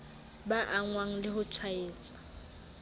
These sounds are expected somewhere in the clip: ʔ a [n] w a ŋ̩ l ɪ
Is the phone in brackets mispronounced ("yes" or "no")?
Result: yes